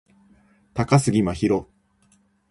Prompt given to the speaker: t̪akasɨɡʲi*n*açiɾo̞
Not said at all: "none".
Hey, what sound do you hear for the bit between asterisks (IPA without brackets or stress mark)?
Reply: m